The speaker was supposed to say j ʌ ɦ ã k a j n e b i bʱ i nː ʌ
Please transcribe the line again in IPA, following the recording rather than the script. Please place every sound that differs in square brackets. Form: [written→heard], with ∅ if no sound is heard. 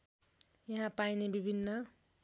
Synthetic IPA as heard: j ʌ ɦ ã [k→p] a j n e b i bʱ i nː ʌ

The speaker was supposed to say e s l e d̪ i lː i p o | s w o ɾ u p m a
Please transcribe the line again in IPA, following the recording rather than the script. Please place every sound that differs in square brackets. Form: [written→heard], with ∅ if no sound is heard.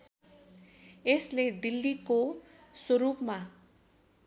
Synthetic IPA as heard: e s l e d̪ i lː i [p→k] o | s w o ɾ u p m a

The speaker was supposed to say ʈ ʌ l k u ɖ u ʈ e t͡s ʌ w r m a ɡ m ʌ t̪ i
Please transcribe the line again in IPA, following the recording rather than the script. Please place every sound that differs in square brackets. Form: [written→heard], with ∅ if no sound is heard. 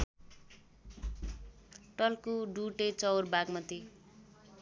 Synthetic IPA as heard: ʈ ʌ l k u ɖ u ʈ e t͡s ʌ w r [m→b] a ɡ m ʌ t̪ i

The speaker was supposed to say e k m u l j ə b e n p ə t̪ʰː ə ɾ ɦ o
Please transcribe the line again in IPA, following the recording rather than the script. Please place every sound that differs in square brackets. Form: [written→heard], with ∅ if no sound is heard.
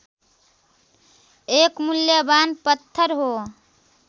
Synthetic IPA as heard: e k m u l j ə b [e→a] n p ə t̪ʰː ə ɾ ɦ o

